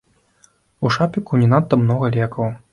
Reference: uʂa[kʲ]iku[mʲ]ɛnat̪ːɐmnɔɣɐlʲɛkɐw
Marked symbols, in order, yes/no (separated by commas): no, no